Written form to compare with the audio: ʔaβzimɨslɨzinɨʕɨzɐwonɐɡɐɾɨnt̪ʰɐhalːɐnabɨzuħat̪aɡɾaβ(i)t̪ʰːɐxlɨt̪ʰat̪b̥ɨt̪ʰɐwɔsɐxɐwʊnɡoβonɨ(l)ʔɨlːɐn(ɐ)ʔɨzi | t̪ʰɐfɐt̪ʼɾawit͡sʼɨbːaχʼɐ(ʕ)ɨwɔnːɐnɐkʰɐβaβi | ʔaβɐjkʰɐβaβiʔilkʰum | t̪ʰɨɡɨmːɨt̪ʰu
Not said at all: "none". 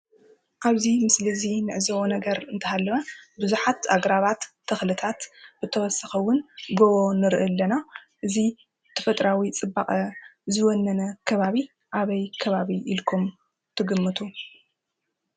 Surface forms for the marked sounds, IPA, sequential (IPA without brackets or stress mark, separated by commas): a, ɾ, a, z